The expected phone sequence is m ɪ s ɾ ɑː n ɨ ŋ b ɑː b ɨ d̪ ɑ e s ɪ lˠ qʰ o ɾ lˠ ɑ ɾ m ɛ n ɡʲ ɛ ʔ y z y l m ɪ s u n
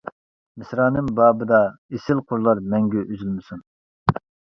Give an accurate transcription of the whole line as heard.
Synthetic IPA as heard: m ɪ s ɾ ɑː n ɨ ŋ b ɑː b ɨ d̪ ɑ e s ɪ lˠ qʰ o ɾ lˠ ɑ ɾ m ɛ ŋ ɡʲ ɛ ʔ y z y l m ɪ s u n

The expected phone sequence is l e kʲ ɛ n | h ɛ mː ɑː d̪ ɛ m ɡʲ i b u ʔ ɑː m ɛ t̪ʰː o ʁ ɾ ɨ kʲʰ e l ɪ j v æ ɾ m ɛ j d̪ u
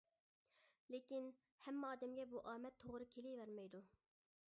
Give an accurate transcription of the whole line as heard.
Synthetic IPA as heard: l e kʲ i n | h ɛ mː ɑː d̪ ɛ m ɡʲ ɛ b u ʔ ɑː m ɛ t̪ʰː o ʁ ɾ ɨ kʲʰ e l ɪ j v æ ɾ m ɛ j d̪ u

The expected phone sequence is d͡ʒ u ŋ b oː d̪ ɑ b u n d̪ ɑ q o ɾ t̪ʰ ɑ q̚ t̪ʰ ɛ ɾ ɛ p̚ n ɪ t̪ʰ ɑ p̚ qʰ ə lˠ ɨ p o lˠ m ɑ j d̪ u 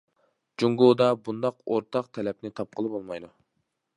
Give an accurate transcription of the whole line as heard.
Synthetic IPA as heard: d͡ʒ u ŋ ɡ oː d̪ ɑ b u n d̪ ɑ q o ɾ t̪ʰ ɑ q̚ t̪ʰ ɛ l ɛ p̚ n ɪ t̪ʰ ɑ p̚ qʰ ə lˠ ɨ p o lˠ m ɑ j d̪ u

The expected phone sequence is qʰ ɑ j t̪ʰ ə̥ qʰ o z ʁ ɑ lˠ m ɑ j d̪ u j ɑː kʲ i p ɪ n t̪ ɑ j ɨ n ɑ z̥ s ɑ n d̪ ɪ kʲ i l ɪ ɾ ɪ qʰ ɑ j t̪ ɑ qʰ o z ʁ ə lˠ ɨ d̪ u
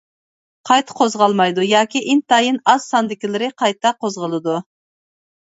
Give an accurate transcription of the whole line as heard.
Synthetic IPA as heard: qʰ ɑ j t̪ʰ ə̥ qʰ o z ʁ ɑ lˠ m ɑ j d̪ u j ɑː kʲ i ʔ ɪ n t̪ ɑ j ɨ n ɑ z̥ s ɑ n d̪ ɪ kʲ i l ɪ ɾ ɪ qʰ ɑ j t̪ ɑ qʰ o z ʁ ə lˠ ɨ d̪ u

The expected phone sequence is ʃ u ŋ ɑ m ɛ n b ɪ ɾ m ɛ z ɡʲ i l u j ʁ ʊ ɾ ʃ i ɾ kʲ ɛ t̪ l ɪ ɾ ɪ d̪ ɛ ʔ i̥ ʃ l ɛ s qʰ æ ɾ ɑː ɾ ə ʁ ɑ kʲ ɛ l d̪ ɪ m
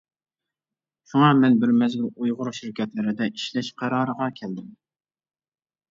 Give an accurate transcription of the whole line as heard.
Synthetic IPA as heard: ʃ u ŋ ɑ m ɛ n b ɪ ɾ m ɛ z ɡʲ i l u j ʁ ʊ ɾ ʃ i ɾ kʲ ɛ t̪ l ɪ ɾ ɪ d̪ ɛ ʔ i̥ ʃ l ɛ ʃ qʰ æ ɾ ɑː ɾ ə ʁ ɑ kʲʰ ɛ l d̪ ɪ m

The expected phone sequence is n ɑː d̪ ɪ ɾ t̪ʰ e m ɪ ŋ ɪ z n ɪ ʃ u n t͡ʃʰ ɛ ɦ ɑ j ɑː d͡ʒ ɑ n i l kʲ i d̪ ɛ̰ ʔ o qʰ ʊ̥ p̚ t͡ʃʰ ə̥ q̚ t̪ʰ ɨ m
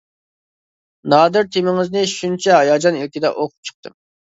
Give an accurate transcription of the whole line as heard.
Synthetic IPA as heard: n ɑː d̪ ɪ ɾ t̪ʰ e m ɪ ŋ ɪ z n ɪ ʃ u n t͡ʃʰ ɛ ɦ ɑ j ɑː d͡ʒ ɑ n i l kʲ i d̪ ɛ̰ ʔ o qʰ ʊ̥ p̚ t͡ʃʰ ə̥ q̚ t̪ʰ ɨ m

